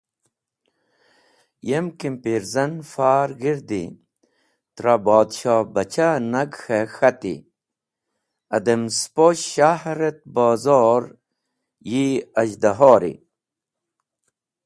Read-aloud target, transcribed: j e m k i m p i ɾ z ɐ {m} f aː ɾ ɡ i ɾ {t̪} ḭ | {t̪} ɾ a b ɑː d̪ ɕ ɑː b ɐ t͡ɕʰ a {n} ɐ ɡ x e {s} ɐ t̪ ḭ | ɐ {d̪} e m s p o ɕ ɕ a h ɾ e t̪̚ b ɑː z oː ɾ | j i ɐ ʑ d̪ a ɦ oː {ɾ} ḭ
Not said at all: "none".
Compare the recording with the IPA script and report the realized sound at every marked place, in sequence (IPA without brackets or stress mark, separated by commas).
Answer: n, d̪, t̪, n, x, d̪, ɾ